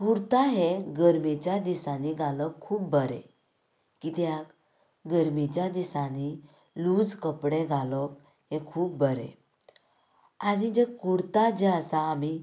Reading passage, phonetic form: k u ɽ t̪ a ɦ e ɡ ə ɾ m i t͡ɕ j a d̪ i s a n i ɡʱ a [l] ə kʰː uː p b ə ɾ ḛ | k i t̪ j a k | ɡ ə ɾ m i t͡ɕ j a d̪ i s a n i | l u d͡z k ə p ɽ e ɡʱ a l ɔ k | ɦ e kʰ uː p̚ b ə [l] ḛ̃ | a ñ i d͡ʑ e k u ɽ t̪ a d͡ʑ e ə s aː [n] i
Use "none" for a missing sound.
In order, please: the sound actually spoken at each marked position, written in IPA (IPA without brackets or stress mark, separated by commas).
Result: l, ɾ, m